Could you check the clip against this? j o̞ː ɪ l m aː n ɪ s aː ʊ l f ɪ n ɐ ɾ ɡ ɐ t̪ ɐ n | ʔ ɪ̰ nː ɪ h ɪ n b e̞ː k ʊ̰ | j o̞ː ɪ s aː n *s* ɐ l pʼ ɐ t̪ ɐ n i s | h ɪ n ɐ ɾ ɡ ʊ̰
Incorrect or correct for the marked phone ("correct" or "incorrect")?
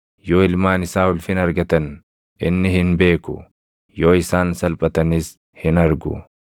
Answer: correct